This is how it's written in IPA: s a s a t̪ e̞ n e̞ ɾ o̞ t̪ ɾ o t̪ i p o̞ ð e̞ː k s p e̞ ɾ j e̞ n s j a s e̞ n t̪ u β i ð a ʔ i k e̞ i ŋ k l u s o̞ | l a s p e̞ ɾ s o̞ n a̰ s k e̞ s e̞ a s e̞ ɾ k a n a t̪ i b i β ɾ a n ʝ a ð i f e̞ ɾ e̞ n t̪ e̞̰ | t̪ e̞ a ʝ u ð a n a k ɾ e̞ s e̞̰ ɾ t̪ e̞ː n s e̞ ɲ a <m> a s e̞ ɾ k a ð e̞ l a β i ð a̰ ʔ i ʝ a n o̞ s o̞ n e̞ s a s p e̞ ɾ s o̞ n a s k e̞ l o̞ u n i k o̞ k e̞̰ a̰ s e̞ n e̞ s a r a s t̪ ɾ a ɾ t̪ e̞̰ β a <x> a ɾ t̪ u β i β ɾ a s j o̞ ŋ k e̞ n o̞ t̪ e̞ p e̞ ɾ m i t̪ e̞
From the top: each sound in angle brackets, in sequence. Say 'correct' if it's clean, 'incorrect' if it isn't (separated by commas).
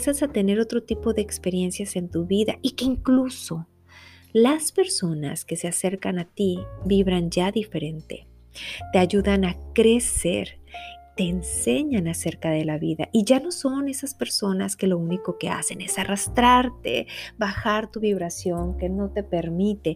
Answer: incorrect, correct